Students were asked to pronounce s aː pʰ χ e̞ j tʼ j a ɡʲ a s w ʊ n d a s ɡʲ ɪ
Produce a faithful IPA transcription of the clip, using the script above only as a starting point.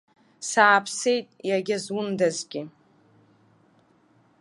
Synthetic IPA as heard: s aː pʰ s e̞ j tʼ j a ɡʲ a z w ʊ n d a z ɡʲ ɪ